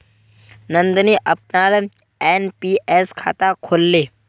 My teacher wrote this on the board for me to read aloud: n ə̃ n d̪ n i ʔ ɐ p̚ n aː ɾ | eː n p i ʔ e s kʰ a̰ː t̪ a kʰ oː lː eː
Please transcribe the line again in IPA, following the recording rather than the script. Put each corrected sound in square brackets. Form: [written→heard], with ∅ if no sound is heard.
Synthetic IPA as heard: n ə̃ n d̪ n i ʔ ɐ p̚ n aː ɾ | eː n p i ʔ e s kʰ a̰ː t̪ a kʰ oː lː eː